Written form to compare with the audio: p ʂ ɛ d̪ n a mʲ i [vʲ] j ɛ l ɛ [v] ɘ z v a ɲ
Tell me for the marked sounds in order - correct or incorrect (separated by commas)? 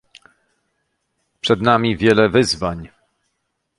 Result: correct, correct